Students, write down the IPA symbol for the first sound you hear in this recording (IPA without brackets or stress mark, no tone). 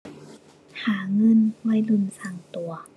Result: h